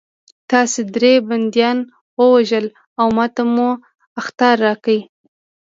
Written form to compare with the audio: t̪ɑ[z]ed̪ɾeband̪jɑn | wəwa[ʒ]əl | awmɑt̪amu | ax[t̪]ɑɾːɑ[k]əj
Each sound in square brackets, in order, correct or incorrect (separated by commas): incorrect, correct, correct, correct